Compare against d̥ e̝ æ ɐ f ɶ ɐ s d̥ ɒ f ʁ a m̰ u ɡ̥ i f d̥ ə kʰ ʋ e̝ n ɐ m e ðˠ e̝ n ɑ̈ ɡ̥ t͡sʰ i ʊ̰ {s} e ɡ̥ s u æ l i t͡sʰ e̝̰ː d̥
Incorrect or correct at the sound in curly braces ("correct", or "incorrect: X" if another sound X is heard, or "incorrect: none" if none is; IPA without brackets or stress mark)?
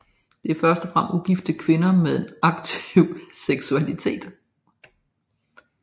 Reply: correct